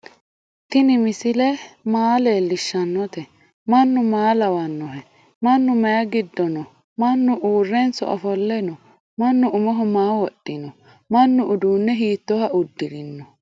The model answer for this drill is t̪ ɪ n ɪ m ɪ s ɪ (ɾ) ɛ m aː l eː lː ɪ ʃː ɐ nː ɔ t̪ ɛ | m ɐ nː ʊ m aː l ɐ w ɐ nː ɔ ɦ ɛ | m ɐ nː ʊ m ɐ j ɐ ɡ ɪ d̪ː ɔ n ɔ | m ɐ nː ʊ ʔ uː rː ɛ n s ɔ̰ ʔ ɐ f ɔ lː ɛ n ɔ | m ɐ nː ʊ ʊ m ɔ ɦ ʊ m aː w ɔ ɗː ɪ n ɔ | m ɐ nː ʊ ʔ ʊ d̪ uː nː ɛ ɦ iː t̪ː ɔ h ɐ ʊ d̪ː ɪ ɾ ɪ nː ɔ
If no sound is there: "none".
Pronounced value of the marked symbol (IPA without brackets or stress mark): l